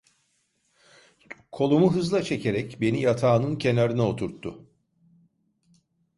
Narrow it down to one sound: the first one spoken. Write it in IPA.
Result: kʰ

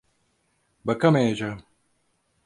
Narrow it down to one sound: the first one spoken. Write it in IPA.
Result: b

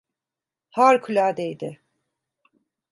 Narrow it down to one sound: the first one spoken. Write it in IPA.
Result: h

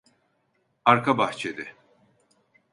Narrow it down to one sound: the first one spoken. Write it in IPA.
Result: a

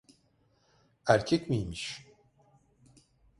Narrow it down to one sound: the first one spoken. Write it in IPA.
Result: æ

